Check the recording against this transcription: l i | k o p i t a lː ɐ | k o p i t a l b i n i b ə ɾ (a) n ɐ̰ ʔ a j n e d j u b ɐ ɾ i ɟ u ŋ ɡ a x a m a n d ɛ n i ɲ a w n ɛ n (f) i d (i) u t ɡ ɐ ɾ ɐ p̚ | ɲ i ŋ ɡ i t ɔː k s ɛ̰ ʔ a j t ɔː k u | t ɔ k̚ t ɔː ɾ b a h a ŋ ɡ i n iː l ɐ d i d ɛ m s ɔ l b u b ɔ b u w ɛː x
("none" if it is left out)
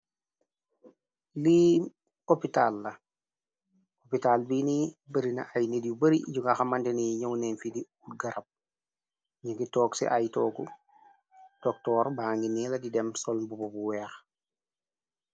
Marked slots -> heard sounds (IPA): i, f, i

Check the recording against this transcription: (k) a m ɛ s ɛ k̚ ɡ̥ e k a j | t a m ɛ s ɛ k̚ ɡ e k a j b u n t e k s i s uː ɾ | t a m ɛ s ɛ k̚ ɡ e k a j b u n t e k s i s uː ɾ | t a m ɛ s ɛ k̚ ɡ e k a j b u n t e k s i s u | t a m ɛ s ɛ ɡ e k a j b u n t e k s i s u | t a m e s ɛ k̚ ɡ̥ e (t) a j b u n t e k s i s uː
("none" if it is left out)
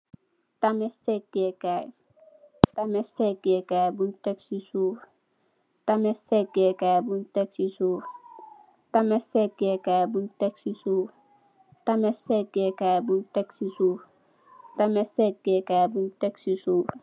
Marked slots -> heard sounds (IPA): t, k

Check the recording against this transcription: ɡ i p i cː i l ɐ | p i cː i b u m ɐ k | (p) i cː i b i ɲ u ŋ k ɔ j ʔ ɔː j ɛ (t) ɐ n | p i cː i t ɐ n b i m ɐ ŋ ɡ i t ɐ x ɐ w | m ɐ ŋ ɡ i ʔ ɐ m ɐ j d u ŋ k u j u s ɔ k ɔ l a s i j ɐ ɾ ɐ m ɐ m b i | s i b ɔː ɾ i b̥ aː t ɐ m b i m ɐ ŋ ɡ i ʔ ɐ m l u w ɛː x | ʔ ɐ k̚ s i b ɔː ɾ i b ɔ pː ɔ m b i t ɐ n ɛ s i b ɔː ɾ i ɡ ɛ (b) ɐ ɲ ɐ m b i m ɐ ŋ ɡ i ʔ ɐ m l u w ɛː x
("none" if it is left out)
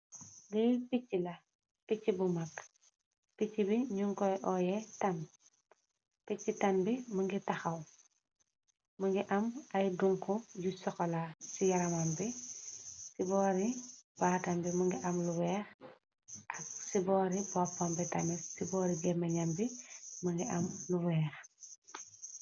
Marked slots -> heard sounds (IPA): p, t, m

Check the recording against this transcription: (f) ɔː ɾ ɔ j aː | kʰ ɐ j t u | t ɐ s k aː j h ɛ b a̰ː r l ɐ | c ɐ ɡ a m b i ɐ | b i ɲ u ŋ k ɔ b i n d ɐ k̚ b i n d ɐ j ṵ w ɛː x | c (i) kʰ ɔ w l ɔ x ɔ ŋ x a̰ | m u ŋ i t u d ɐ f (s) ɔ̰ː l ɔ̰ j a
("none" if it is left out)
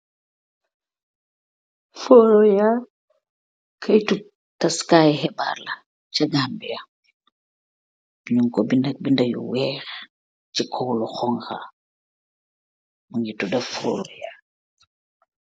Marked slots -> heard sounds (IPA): f, i, f

